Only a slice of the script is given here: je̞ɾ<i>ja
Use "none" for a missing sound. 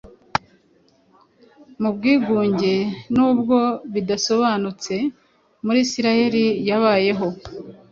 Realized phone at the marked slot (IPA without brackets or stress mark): i